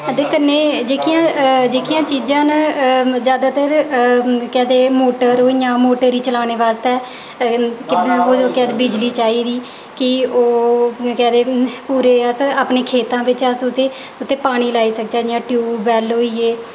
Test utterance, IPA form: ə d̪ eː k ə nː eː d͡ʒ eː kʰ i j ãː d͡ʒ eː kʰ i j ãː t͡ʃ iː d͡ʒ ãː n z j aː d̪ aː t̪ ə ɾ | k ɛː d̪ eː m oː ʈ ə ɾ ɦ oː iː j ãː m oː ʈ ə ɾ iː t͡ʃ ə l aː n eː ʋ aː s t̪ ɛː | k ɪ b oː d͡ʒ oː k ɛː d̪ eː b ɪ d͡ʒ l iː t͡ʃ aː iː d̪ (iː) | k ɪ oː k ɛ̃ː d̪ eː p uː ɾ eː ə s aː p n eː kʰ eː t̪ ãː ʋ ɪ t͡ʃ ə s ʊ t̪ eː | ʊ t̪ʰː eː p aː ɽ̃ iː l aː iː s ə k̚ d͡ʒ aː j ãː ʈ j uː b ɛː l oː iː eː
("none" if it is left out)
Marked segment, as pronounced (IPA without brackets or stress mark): iː